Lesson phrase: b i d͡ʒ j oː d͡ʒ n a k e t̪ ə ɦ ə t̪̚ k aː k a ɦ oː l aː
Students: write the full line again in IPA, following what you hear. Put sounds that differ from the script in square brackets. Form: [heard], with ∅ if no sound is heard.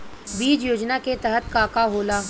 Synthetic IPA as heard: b [iː] d͡ʒ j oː d͡ʒ n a k e t̪ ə ɦ ə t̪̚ k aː k a ɦ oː l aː